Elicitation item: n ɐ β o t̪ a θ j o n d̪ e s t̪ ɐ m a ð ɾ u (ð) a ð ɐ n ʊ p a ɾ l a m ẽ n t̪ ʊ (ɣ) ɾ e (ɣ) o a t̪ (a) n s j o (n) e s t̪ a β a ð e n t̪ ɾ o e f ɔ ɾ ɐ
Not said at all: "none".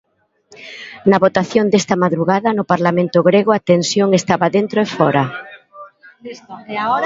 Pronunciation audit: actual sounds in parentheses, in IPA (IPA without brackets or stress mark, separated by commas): ɣ, ɣ, ɣ, e, ŋ